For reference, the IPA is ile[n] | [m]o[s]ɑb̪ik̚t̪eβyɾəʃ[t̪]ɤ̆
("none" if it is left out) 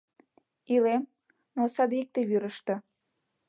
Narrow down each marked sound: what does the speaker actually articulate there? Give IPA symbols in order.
m, n, s, t̪

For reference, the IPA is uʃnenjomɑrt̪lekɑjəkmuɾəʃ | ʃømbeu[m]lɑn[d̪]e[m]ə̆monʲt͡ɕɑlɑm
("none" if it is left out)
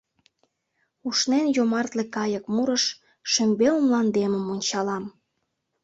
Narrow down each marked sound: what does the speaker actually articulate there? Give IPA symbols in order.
m, d̪, m

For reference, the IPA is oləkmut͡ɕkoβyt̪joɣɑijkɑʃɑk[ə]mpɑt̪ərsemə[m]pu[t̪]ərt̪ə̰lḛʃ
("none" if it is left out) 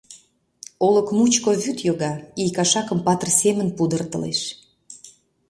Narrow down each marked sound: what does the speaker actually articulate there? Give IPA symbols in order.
ə, n, d̪

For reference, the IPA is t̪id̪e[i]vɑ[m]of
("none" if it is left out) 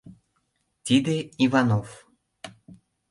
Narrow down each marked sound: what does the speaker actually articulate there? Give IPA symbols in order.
i, n

